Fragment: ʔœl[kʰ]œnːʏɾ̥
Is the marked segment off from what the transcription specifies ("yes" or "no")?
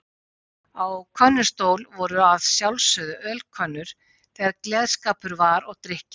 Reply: no